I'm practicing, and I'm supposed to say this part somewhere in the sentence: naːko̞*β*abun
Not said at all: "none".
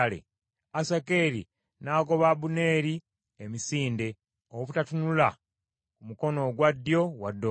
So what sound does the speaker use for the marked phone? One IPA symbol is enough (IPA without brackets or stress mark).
β